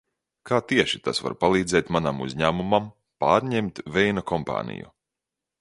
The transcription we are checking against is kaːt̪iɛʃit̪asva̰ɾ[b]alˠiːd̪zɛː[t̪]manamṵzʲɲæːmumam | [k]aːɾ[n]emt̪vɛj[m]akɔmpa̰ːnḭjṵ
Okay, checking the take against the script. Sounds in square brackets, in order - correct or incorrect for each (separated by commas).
incorrect, correct, incorrect, incorrect, incorrect